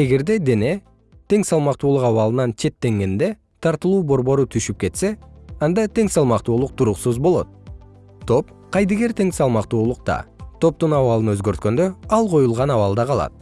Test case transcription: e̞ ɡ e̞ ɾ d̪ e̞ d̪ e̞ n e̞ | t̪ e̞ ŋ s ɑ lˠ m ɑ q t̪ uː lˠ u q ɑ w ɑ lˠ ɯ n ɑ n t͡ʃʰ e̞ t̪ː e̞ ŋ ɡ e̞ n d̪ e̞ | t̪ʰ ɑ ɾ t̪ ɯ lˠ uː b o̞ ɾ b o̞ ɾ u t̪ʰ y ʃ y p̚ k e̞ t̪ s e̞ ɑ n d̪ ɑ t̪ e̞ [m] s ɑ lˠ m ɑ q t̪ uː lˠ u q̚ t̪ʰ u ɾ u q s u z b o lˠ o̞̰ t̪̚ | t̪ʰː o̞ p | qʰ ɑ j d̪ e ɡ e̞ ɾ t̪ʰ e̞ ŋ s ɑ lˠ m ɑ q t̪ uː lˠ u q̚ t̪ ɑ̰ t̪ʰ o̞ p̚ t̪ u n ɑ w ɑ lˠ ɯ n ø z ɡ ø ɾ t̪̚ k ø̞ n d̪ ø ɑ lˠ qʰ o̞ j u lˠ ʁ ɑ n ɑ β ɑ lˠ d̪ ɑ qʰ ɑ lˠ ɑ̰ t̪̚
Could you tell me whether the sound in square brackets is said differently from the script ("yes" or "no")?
yes